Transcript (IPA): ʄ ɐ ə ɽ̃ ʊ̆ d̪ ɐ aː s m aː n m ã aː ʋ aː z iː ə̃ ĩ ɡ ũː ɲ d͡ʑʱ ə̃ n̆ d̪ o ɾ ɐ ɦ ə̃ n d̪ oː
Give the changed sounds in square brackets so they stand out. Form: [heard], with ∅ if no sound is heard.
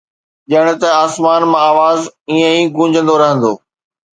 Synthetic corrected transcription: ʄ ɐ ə ɽ̃ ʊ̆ [t̪] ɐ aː s m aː n m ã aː ʋ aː z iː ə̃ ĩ ɡ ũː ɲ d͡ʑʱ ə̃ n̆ d̪ o ɾ ɐ ɦ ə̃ n d̪ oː